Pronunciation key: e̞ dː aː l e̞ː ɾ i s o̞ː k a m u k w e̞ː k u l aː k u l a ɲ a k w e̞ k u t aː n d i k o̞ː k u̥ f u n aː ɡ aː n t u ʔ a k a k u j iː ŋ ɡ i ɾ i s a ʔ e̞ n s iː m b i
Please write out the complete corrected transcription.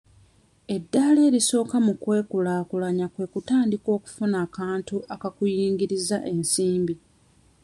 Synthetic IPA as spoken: e̞ dː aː l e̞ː ɾ i s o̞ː k a m u k w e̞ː k u l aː k u l a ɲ a k w e̞ k u t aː n d i k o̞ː k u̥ f u n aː k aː n t u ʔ a k a k u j iː ŋ ɡ i ɾ i z a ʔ e̞ n s iː m b i